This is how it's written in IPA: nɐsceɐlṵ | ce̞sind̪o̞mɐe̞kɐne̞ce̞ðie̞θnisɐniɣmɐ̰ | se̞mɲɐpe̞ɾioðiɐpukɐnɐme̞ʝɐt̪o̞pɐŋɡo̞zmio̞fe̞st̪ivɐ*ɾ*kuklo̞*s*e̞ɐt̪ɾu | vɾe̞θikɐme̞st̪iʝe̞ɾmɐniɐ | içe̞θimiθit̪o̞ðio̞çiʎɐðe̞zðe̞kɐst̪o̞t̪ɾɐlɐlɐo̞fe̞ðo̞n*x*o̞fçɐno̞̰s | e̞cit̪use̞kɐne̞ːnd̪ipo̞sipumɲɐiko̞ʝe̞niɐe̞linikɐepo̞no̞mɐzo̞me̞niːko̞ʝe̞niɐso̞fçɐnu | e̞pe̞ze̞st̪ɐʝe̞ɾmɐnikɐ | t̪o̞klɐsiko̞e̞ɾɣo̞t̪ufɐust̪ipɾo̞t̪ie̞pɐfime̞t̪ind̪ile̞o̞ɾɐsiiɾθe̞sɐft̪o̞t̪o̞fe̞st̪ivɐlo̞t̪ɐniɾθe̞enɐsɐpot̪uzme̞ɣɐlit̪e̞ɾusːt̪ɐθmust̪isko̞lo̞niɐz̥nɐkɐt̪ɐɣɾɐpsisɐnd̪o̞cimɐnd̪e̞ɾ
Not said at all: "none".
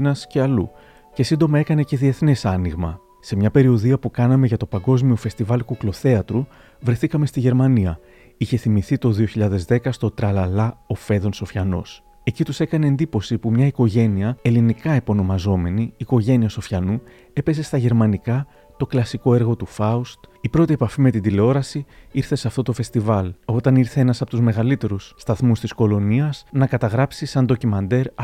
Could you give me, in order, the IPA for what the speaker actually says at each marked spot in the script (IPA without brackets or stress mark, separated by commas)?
l, θ, s